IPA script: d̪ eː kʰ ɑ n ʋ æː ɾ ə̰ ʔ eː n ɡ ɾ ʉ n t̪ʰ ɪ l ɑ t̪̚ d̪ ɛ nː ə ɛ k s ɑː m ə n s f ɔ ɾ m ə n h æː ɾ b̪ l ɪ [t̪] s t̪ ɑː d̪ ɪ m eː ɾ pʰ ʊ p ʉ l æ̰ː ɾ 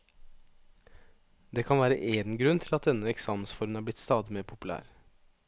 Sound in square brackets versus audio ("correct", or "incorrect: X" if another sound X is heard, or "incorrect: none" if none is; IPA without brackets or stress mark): correct